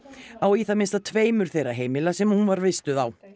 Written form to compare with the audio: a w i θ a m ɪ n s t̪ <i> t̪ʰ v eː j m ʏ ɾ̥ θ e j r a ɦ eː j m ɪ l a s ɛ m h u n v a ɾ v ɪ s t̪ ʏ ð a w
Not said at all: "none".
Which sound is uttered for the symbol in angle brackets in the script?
a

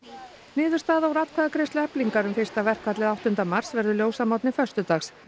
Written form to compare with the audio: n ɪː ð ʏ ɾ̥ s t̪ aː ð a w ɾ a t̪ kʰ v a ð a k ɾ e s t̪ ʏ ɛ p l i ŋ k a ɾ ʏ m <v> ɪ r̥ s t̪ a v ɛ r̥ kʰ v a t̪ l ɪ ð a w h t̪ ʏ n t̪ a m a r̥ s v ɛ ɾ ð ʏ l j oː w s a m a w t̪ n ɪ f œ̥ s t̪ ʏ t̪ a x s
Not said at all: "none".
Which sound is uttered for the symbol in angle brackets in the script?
f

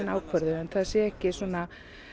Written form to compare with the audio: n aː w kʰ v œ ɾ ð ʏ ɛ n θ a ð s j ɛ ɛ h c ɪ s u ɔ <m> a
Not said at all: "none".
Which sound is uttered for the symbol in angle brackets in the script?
n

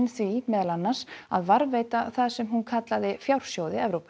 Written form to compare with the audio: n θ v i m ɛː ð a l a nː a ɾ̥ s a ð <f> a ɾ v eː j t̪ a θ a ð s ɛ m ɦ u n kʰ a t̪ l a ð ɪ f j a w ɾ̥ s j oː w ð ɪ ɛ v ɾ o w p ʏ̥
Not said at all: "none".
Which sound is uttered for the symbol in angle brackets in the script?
v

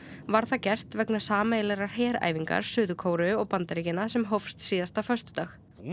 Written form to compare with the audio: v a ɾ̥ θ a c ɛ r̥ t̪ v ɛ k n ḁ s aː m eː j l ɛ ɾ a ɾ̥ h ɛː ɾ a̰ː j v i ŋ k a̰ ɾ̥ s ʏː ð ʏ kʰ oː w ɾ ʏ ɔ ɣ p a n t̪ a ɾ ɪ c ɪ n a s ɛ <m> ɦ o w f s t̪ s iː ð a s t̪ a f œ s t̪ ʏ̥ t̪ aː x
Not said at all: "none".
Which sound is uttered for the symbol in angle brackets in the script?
m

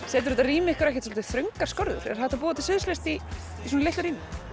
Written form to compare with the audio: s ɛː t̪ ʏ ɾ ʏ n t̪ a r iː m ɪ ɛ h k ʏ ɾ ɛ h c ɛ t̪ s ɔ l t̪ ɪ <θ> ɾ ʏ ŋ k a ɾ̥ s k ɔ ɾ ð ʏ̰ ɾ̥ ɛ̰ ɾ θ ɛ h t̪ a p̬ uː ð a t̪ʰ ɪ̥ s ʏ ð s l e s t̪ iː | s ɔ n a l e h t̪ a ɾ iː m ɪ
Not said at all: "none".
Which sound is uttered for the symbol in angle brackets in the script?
θ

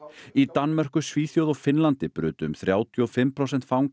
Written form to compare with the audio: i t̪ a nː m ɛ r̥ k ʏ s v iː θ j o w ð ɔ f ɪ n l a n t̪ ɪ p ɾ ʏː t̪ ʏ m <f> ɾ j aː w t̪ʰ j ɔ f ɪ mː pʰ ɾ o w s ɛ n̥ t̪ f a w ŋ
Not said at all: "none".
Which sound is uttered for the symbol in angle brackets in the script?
θ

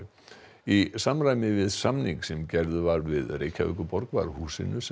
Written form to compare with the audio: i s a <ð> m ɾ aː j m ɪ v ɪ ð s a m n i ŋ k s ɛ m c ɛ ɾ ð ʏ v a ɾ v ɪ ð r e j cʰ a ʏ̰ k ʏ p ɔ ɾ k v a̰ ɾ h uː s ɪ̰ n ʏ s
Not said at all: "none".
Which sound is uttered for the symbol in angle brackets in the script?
none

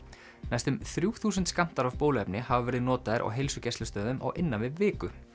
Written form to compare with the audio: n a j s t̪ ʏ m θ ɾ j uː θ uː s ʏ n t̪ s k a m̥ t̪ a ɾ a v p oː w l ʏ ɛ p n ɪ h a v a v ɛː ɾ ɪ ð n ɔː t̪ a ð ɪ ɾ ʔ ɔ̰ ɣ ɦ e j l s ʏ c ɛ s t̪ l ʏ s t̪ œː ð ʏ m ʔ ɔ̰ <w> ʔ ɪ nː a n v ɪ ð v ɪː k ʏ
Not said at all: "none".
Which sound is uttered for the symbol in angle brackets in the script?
ɣ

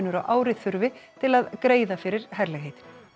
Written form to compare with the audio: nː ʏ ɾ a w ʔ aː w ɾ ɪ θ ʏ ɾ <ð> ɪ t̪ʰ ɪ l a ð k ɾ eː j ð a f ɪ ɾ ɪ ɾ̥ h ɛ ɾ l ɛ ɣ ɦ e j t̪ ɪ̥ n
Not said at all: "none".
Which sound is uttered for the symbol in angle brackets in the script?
v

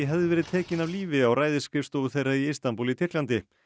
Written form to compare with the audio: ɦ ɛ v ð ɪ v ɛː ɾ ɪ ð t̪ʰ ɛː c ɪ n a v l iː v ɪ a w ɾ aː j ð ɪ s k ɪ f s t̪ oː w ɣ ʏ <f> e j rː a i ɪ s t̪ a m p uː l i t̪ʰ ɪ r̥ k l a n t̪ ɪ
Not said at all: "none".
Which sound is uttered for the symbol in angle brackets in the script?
θ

